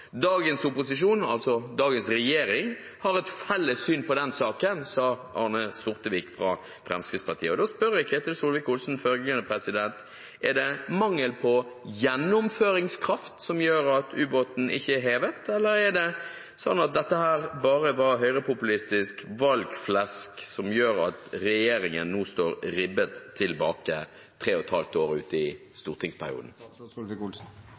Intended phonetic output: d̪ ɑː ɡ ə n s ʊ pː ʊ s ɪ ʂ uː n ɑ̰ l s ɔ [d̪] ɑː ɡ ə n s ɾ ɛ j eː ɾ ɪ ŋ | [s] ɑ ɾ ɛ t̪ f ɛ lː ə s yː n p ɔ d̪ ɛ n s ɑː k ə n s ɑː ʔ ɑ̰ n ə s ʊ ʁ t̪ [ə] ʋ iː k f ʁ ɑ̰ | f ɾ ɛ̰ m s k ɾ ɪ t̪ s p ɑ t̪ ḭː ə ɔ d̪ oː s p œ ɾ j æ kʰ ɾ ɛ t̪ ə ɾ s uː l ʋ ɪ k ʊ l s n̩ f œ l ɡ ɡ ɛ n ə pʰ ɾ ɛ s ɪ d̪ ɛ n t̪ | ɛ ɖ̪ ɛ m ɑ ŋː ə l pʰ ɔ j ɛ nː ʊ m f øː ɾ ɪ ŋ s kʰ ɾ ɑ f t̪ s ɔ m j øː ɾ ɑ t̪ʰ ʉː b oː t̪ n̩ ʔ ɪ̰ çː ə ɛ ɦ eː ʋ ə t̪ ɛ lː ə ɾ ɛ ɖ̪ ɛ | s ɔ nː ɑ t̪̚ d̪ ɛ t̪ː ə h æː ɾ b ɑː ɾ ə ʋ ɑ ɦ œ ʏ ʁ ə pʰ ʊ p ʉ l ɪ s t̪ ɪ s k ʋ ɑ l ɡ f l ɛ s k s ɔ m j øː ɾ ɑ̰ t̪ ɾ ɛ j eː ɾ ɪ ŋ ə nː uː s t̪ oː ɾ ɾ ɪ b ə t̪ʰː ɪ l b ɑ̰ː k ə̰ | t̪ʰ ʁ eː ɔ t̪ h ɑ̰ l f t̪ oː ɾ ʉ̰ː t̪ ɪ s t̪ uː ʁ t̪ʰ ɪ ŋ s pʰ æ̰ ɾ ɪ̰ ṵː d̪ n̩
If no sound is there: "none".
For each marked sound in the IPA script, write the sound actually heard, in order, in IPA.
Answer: d̪, h, ə

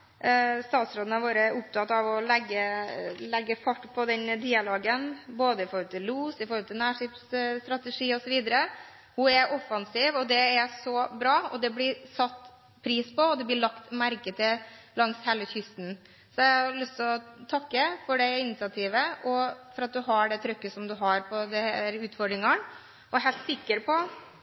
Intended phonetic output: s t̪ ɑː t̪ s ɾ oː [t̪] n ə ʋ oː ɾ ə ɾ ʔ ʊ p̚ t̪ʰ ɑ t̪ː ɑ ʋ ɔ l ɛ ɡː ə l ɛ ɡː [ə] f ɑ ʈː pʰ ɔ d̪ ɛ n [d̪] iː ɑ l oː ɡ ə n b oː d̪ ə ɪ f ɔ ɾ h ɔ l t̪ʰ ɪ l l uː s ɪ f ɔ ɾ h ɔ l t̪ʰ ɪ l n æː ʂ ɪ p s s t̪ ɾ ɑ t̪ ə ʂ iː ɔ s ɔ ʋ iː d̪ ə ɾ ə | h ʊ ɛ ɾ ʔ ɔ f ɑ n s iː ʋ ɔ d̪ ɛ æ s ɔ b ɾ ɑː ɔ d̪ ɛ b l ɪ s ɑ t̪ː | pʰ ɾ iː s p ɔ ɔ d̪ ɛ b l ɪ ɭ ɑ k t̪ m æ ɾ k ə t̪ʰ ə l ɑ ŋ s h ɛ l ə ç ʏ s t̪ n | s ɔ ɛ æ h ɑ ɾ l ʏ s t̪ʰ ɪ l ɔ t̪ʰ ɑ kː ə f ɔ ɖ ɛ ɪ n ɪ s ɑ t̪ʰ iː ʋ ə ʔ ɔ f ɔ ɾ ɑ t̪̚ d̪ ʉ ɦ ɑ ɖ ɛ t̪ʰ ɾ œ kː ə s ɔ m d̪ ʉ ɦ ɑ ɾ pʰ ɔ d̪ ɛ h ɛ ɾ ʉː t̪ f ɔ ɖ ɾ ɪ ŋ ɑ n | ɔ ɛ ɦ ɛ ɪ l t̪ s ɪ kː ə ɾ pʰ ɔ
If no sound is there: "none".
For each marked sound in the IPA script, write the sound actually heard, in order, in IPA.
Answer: d̪, ə, d̪

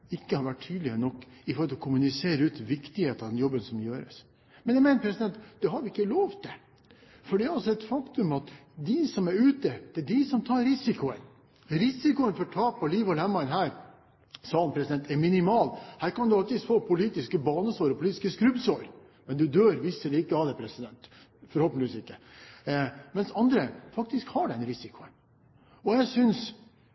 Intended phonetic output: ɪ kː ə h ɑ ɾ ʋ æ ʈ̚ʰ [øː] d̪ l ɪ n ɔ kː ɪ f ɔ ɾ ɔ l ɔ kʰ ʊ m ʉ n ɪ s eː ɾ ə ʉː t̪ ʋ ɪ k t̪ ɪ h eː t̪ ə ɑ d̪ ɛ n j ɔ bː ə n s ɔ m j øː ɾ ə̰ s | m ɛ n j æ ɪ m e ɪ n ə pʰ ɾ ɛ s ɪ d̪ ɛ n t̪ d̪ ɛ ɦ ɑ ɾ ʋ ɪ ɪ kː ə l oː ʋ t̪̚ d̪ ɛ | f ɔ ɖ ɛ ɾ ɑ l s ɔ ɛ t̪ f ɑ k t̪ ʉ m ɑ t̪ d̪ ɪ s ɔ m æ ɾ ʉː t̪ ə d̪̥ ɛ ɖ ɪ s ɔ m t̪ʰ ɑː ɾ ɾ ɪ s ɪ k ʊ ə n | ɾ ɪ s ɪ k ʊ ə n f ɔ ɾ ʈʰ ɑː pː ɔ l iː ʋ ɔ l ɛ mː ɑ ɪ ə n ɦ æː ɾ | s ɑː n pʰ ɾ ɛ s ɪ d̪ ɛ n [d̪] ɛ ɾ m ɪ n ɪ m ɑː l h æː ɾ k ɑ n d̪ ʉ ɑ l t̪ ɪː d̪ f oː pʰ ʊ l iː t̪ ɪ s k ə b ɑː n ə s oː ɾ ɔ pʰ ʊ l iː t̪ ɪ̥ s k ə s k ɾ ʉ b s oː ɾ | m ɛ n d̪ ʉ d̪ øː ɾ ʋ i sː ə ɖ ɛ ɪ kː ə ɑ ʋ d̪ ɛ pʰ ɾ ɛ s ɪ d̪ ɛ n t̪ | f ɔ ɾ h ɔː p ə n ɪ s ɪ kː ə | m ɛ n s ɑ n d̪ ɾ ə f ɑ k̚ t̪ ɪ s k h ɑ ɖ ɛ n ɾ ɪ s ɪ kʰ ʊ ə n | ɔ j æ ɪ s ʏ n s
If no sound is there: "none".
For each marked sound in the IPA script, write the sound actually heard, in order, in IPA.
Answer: yː, t̪

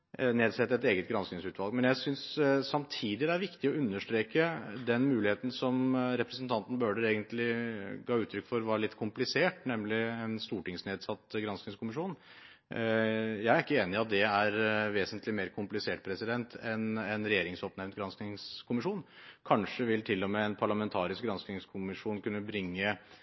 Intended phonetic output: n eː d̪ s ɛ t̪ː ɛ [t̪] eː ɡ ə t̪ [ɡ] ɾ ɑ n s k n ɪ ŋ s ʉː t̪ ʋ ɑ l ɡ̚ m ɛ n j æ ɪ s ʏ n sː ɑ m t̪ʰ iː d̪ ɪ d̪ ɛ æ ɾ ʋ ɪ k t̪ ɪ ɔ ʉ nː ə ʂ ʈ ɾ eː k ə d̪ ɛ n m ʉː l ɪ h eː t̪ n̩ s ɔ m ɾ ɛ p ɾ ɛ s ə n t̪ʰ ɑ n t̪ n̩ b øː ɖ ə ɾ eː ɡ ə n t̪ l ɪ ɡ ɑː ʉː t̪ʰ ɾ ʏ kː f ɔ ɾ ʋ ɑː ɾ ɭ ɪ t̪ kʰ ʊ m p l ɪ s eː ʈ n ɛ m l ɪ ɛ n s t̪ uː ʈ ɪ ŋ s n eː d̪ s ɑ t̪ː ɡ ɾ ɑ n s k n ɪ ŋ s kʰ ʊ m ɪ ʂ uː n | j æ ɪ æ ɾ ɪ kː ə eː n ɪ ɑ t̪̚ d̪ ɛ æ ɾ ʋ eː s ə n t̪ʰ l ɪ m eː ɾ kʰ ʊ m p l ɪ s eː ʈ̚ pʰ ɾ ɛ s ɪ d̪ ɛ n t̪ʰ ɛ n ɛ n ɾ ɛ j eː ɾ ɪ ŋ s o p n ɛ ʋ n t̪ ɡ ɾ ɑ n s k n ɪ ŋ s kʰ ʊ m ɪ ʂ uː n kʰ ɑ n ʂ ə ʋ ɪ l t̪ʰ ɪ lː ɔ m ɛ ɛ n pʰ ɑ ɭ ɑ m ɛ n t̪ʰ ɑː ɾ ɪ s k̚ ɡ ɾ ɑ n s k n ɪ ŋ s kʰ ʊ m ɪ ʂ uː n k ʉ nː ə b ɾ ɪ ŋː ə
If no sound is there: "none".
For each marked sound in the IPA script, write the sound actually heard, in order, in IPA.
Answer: t̪, ɡ

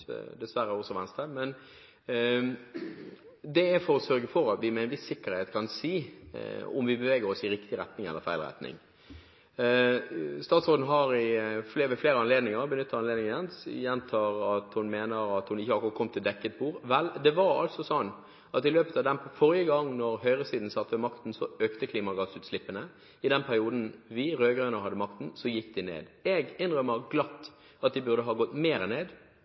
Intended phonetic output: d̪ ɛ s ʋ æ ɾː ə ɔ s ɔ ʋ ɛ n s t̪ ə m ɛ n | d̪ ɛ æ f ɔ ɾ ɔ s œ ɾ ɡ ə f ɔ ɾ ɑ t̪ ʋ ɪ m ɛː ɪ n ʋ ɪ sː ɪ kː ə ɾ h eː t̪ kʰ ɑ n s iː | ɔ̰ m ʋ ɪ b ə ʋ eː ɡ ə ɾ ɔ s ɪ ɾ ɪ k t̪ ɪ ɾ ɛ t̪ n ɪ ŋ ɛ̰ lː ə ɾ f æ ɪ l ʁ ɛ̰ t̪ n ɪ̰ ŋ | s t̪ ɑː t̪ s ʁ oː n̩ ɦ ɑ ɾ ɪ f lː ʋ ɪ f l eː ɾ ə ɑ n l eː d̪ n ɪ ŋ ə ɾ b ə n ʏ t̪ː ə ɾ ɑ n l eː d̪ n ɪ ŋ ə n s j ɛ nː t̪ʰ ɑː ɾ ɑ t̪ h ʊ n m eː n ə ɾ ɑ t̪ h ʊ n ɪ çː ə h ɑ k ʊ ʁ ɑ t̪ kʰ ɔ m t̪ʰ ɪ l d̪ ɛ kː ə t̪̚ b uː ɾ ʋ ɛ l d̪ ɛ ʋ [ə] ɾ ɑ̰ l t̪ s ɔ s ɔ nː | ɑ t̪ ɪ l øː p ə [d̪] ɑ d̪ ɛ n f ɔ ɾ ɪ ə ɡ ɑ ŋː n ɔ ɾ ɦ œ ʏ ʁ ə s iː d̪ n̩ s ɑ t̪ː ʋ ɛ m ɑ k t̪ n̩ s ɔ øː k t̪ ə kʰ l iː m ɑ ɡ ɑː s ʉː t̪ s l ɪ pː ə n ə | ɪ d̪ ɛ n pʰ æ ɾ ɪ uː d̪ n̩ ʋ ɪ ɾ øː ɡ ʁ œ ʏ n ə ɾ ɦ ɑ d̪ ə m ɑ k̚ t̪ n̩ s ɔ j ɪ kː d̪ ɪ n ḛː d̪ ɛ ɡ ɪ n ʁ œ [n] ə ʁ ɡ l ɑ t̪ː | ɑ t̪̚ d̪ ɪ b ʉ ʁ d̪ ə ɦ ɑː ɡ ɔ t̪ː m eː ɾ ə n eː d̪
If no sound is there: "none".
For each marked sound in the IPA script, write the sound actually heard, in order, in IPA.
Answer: ɑ, t̪, m

